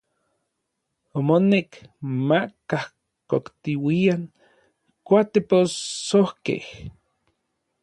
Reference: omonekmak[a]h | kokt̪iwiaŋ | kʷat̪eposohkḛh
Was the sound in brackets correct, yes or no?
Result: yes